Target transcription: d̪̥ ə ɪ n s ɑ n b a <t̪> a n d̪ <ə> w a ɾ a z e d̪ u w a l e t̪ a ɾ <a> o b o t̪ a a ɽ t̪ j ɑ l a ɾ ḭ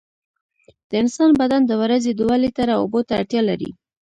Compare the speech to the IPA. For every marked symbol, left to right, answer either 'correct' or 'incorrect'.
incorrect: d̪, correct, correct

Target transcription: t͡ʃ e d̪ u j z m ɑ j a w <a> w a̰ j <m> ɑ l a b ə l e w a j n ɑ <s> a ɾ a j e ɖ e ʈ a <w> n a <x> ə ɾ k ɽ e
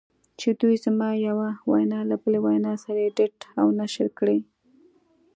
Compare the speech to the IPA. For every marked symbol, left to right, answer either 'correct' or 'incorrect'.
correct, incorrect: n, correct, correct, incorrect: ʃ

